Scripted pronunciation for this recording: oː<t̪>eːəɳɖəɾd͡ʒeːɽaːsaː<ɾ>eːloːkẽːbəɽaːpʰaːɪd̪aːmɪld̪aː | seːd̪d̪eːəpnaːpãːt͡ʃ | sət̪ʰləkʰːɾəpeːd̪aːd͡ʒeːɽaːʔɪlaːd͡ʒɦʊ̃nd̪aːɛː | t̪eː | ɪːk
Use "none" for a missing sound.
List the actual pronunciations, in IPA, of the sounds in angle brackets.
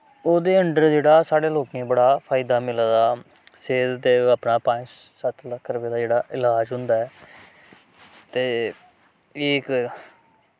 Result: d̪, ɽ

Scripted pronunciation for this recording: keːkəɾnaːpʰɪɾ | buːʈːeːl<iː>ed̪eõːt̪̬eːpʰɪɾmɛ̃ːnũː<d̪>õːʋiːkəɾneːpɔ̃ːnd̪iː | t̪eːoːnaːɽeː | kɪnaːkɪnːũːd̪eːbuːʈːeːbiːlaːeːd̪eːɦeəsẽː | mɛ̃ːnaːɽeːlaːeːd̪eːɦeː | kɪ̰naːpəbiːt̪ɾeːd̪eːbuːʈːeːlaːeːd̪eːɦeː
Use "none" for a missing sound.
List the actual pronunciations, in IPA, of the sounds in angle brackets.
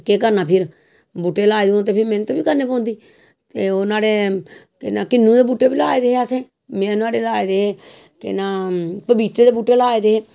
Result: aː, t̪

